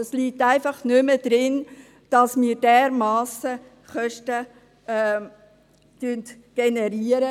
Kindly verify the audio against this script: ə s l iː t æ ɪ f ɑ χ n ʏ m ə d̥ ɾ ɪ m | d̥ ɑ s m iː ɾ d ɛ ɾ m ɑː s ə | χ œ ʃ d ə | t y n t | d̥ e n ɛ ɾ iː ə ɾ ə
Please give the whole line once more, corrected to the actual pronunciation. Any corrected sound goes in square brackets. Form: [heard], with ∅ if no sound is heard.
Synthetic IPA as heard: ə s l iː t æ ɪ f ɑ χ n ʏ m ə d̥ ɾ ɪ [n] | d̥ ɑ s m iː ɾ d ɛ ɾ m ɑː s ə | χ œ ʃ [t] ə | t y n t | [ɡ̥] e n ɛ ɾ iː ə ɾ ə